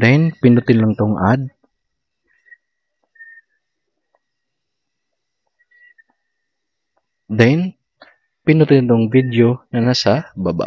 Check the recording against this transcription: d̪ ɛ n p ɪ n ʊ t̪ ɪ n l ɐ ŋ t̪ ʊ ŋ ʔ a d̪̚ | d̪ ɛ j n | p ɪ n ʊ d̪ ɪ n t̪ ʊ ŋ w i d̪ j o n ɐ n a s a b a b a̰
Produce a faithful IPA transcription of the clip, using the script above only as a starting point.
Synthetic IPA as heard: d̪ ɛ n p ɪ n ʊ t̪ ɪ n l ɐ ŋ t̪ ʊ ŋ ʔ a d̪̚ | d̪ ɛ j n | p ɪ n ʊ t̪ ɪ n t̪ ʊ ŋ v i d̪ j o n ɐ n a s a b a b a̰

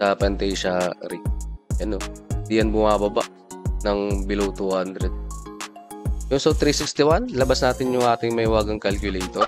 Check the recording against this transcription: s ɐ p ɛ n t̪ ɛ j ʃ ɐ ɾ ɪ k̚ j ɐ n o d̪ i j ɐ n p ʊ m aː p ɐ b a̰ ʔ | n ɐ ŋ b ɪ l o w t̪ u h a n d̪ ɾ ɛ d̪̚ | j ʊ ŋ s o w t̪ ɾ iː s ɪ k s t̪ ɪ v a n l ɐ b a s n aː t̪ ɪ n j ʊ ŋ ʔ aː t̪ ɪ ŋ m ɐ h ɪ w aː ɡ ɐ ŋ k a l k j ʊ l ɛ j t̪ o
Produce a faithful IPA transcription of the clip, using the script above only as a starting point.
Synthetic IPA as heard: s ɐ p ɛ n t̪ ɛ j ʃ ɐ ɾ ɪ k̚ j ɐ n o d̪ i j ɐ n b ʊ m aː b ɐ b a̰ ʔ | n ɐ ŋ b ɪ l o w t̪ u h a n d̪ ɾ ɛ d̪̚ | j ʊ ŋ s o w t̪ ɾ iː s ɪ k s t̪ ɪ w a n l ɐ b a s n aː t̪ ɪ n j ʊ ŋ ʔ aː t̪ ɪ ŋ m ɐ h ɪ w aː ɡ ɐ ŋ k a l k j ʊ l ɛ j t̪ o

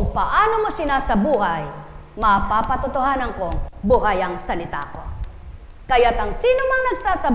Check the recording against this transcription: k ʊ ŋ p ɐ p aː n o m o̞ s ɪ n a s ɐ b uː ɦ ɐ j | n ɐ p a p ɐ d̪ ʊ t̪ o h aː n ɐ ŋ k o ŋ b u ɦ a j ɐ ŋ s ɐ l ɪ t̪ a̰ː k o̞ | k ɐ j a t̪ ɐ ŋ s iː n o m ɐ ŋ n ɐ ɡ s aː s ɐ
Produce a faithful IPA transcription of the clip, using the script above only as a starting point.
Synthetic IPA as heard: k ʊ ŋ p ɐ ʔ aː n o m o̞ s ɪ n a s ɐ b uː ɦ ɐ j | m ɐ p a p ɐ t̪ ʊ t̪ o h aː n ɐ ŋ k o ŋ b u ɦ a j ɐ ŋ s ɐ l ɪ t̪ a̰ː k o̞ | k ɐ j a t̪ ɐ ŋ s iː n o m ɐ ŋ n ɐ ɡ s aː s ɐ

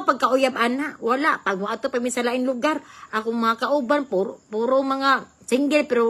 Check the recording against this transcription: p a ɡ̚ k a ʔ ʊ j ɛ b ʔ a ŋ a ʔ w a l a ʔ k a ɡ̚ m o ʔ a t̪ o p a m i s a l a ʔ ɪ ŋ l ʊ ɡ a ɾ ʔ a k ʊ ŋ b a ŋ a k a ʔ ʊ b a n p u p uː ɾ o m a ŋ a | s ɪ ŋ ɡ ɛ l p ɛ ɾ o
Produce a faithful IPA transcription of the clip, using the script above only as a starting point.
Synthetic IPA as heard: p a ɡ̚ k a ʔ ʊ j a b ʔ a n a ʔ w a l a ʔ p a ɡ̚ m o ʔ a t̪ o p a m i s a l a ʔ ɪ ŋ l ʊ ɡ a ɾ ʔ a k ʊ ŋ m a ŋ a k a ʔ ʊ b a n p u p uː ɾ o m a ŋ a | s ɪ ŋ ɡ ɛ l p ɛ ɾ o

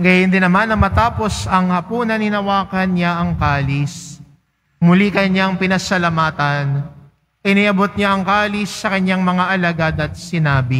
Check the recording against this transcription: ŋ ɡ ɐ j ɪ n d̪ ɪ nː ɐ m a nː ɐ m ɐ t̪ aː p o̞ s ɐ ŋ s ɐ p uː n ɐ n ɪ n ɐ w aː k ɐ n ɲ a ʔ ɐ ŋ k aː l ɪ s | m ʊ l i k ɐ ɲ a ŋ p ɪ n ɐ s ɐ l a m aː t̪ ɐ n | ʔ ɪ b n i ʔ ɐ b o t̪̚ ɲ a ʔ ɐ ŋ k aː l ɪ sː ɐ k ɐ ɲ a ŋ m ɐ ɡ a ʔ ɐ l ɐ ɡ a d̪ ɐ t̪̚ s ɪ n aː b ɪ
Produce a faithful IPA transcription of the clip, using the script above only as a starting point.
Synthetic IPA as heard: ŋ ɡ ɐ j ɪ n d̪ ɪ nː ɐ m a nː ɐ m ɐ t̪ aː p o̞ s ɐ ŋ h ɐ p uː n ɐ n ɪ n ɐ w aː k ɐ n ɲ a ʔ ɐ ŋ k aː l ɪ s | m ʊ l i k ɐ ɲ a ŋ p ɪ n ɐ s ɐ l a m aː t̪ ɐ n | ʔ ɪ n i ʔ ɐ b o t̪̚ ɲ a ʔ ɐ ŋ k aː l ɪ sː ɐ k ɐ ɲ a ŋ m ɐ ŋ a ʔ ɐ l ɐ ɡ a d̪ ɐ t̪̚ s ɪ n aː b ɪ

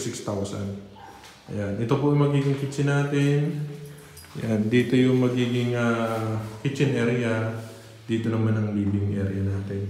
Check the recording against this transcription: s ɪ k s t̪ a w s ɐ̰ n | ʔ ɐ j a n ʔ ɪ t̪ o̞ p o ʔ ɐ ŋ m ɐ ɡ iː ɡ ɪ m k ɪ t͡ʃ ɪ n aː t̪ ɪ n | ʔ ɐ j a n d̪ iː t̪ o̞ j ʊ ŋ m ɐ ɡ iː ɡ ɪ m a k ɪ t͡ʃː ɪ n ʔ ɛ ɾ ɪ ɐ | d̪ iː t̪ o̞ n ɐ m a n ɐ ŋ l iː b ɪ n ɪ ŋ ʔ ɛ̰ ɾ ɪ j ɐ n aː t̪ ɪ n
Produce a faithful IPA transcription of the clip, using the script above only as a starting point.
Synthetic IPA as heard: s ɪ k s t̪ a w s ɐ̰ n | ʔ ɐ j a n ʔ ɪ t̪ o̞ p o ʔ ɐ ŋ m ɐ ɡ iː ɡ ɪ ŋ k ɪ t͡ʃ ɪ n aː t̪ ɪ n | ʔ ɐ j a n d̪ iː t̪ o̞ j ʊ ŋ m ɐ ɡ iː ɡ ɪ ŋ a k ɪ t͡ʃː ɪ n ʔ ɛ ɾ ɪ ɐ | d̪ iː t̪ o̞ n ɐ m a n ɐ ŋ l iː b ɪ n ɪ ŋ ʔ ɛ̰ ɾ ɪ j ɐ n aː t̪ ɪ n

